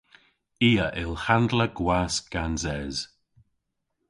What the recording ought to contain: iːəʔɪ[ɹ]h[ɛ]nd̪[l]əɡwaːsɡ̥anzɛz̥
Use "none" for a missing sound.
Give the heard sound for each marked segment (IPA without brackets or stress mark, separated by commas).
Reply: l, a, l